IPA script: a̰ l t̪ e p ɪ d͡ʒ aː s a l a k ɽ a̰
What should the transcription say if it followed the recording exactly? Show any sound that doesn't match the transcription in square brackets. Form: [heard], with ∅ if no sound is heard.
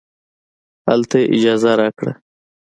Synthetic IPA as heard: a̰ l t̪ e [ʔ] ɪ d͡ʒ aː [z] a [ɾ] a k ɽ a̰